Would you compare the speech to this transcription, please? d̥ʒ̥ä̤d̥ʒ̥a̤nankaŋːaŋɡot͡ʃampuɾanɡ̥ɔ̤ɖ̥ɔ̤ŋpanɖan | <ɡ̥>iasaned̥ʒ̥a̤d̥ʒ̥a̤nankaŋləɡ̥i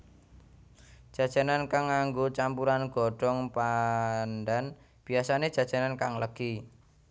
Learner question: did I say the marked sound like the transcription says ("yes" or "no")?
no